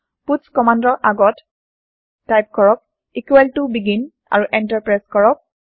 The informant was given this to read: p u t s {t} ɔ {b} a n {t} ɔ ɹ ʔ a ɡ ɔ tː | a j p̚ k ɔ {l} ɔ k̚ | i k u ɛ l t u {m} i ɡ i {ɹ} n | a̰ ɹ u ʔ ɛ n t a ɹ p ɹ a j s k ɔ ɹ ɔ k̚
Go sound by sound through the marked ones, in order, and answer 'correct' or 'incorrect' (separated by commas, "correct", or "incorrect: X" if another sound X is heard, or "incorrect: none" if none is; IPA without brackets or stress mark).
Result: incorrect: k, incorrect: m, incorrect: d, incorrect: ɹ, incorrect: b, incorrect: none